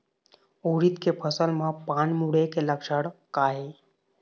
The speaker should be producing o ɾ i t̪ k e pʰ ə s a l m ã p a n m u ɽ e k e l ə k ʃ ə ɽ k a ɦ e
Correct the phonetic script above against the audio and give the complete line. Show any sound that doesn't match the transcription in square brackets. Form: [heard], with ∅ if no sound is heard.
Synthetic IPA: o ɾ i t̪ k e pʰ ə s [ə] l m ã p a n m u ɽ e k e l ə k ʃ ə ɽ k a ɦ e

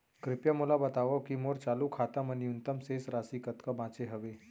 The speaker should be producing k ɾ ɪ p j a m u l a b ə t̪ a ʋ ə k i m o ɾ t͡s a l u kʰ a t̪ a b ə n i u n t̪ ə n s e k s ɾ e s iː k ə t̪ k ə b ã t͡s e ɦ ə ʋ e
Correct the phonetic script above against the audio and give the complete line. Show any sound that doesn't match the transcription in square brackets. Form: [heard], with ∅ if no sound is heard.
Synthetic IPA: k ɾ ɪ p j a m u l a b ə t̪ a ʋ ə k i m o ɾ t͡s a l u kʰ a t̪ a [m] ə n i u n t̪ ə [m] s e [∅] s ɾ [a] s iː k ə t̪ k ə b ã t͡s e ɦ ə ʋ e

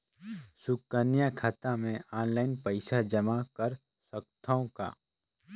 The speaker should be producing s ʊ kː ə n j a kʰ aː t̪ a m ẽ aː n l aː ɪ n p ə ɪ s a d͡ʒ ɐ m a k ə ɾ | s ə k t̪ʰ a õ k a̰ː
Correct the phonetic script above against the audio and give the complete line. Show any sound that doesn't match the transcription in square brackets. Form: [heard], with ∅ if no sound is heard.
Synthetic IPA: s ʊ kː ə n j a kʰ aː t̪ a m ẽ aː n l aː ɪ n p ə ɪ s a d͡ʒ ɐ m a k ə ɾ | s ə k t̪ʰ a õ k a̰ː

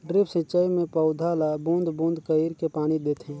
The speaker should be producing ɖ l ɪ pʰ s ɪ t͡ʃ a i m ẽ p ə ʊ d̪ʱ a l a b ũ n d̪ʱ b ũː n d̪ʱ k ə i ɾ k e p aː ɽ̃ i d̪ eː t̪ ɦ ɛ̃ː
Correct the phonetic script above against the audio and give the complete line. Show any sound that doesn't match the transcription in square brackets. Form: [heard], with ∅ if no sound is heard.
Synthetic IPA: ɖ [ɾ] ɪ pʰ s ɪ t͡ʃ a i m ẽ p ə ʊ d̪ʱ a l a b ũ n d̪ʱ b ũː n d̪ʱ k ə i ɾ k e p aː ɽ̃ i d̪ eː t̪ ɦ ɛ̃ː

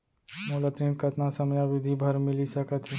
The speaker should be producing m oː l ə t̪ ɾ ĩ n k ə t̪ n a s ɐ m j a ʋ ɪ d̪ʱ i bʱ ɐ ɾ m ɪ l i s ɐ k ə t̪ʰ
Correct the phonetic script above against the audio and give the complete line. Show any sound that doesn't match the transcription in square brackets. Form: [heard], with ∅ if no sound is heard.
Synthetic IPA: m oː l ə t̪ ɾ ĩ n k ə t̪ n a s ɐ m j a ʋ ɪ d̪ʱ i bʱ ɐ ɾ m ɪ l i s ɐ k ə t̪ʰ

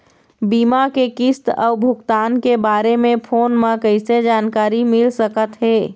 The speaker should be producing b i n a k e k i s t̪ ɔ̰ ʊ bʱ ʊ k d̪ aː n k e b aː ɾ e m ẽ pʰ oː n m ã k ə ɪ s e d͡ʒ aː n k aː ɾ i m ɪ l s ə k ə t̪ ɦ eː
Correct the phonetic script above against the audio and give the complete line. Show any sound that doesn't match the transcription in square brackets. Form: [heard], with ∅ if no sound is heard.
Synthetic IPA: b i [m] a k e k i s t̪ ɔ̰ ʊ bʱ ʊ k [t̪] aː n k e b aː ɾ e m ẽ pʰ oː n m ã k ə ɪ s e d͡ʒ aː n k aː ɾ i m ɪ l s ə k ə t̪ ɦ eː

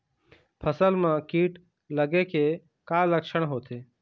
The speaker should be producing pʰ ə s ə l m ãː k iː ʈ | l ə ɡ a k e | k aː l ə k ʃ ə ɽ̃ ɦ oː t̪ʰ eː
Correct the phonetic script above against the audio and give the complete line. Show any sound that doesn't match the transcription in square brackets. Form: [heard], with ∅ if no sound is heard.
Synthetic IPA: pʰ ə s ə l m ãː k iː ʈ | l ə ɡ [e] k e | k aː l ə k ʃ ə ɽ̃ ɦ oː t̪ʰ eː

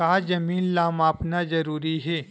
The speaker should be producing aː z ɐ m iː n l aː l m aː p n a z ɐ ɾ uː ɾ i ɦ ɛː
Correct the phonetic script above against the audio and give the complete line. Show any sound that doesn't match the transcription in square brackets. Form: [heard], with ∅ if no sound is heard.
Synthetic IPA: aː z ɐ m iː n l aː [∅] m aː p n a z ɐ ɾ uː ɾ i ɦ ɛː

